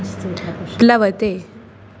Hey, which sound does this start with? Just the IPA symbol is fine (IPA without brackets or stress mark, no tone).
l